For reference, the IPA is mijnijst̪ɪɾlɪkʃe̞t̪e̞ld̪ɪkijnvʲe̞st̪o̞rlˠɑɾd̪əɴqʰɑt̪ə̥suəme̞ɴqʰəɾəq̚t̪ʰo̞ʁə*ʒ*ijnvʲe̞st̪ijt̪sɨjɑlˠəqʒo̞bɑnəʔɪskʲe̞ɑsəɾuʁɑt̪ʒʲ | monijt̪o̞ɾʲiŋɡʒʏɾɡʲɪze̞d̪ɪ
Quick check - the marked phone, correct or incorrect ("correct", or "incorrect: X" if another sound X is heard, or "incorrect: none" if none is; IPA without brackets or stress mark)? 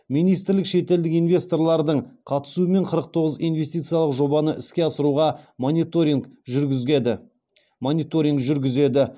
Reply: incorrect: z